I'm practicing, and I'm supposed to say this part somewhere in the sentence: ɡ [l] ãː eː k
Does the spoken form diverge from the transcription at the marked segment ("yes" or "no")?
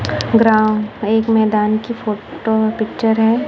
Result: yes